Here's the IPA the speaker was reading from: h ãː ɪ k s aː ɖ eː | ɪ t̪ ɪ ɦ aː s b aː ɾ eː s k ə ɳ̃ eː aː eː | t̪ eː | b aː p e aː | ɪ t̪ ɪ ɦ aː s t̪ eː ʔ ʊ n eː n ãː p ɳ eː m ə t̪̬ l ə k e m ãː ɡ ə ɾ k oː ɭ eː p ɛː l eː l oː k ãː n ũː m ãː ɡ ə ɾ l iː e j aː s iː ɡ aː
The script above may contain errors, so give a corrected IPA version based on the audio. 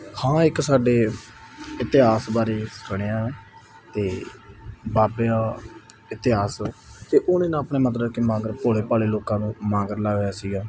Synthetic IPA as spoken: h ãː ɪ k s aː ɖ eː | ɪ t̪ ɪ ɦ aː s b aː ɾ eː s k ə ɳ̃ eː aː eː | t̪ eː | b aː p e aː | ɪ t̪ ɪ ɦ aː s t̪ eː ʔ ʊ n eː n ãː p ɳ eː m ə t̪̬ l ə k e m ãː ɡ ə ɾ p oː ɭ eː p aː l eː l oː k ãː n ũː m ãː ɡ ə ɾ l aː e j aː s iː ɡ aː